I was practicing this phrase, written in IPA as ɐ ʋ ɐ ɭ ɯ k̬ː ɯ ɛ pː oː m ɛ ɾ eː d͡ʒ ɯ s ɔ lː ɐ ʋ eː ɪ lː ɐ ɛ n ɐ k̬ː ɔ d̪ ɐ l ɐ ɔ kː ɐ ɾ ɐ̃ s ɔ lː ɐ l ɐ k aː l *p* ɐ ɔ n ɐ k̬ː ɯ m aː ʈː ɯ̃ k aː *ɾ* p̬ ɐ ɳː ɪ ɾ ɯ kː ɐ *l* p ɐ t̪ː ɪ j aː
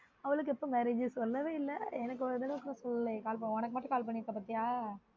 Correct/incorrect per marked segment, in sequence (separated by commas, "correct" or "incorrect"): correct, incorrect, incorrect